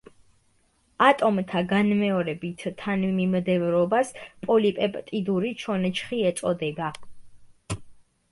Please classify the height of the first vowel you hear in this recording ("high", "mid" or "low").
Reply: low